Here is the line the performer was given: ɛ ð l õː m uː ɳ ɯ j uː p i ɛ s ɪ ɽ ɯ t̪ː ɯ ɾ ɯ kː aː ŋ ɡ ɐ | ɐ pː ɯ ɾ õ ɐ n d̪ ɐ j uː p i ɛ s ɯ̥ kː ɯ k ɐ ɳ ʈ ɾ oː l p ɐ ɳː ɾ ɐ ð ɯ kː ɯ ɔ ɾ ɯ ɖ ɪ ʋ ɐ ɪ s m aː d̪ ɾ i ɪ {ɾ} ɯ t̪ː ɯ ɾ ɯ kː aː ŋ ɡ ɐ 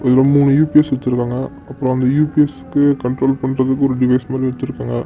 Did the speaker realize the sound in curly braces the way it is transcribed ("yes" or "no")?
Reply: no